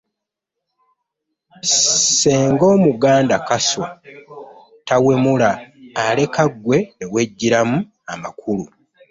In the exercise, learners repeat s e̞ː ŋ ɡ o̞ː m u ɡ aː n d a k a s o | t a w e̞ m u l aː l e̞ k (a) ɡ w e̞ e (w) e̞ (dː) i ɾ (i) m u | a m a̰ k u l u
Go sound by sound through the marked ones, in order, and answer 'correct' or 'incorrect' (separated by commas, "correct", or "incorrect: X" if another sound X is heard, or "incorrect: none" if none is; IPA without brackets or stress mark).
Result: correct, correct, incorrect: ɟː, incorrect: a